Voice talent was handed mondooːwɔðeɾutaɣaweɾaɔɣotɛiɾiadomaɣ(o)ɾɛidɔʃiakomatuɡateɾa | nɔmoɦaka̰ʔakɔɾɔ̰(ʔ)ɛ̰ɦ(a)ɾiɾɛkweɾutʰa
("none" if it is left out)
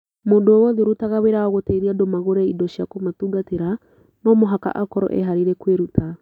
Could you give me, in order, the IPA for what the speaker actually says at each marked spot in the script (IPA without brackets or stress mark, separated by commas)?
o, ʔ, a